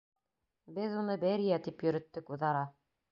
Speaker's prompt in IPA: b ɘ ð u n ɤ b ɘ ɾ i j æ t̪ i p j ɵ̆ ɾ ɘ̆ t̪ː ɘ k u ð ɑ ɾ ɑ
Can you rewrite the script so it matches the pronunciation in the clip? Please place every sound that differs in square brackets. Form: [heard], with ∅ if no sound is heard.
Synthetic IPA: b ɘ ð u n ɤ b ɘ ɾ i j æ t̪ i p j ɵ̆ ɾ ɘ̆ t̪ː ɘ k u ð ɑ ɾ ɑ